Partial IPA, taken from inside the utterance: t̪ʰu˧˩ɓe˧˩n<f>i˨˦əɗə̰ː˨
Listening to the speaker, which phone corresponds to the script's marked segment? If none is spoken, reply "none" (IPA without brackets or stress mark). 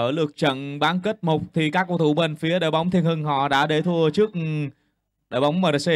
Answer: f